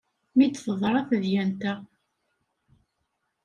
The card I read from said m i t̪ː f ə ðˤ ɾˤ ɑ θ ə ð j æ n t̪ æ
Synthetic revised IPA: m i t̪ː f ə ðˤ ɾˤ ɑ θ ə ð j æ n t̪ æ